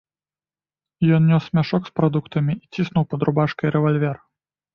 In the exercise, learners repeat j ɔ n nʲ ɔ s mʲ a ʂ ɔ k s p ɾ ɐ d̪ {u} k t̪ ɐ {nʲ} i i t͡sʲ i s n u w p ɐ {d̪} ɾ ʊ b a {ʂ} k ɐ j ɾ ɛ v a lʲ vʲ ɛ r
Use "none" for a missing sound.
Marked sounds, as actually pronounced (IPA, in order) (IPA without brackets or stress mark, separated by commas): u, mʲ, d̪, ʂ